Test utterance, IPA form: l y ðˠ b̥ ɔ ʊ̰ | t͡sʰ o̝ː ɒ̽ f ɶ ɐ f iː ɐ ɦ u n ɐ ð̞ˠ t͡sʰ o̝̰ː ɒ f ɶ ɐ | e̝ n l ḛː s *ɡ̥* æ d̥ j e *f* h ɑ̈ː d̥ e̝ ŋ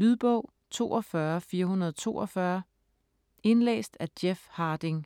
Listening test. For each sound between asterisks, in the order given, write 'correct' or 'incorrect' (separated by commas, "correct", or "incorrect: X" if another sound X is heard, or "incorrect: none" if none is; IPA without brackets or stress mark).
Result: incorrect: d̥, correct